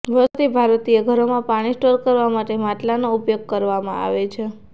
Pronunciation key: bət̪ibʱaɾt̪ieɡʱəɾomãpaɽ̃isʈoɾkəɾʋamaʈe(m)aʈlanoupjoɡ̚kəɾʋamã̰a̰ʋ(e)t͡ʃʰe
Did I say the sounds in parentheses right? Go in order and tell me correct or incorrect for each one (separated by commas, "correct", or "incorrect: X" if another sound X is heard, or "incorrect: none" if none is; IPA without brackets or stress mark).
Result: correct, correct